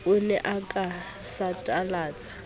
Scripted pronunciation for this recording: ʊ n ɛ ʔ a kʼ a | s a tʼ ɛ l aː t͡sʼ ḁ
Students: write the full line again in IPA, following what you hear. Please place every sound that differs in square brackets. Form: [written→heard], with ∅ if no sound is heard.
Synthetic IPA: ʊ n ɛ ʔ a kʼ a | s a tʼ [ɛ→a] l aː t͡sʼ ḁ